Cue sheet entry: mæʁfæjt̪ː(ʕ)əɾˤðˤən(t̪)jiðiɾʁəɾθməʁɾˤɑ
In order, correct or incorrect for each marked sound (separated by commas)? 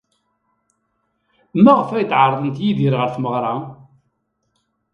correct, correct